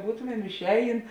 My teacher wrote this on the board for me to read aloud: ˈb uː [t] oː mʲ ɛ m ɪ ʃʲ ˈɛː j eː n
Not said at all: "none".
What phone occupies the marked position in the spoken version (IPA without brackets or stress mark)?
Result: t